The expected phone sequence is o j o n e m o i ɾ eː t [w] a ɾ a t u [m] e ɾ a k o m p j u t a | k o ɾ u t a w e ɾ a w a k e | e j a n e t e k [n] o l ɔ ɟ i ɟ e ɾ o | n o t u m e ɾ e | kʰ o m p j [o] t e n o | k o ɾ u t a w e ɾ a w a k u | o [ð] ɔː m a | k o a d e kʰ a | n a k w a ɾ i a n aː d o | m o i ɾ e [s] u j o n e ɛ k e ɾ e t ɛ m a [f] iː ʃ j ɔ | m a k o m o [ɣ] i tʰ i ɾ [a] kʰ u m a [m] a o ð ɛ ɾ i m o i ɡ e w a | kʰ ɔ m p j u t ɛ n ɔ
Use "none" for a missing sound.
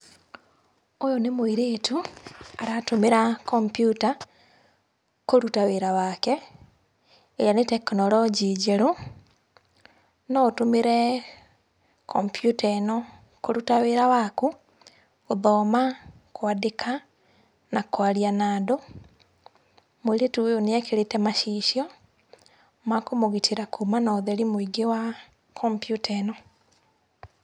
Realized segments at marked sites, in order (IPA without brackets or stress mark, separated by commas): u, m, n, u, ð, t, ʃ, ɣ, a, n